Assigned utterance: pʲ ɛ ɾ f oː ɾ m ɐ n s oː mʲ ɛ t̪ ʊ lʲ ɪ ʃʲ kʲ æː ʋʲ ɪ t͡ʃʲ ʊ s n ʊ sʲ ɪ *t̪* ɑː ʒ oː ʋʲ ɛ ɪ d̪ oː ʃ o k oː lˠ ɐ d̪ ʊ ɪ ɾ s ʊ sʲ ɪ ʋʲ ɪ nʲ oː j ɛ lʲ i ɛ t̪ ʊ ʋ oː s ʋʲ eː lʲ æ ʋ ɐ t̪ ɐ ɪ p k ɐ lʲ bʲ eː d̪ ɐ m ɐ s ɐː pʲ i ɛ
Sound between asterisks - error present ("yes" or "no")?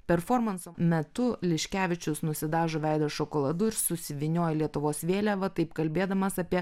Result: yes